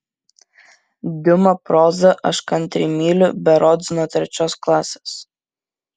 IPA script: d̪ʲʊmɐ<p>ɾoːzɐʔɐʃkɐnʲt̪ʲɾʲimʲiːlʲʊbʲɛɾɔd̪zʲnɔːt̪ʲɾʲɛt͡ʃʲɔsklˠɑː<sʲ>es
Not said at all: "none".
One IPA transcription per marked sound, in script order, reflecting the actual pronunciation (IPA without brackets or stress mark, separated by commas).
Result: p, sʲ